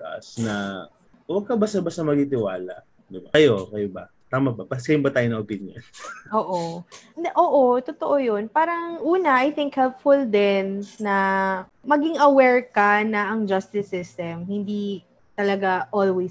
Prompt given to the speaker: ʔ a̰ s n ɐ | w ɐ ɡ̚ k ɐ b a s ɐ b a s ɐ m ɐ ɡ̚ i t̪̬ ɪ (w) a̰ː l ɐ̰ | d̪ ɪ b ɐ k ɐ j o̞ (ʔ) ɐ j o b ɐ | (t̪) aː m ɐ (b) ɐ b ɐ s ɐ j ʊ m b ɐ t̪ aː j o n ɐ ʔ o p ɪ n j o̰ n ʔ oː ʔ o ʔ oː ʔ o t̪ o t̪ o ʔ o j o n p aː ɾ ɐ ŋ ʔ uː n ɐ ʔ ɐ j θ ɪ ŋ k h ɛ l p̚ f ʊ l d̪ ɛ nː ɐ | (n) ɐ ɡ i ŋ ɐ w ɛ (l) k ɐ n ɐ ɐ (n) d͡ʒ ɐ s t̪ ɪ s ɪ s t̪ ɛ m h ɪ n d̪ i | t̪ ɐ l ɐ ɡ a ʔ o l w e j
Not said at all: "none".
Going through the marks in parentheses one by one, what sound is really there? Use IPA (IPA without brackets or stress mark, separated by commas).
w, k, t̪, b, m, ɹ, ŋ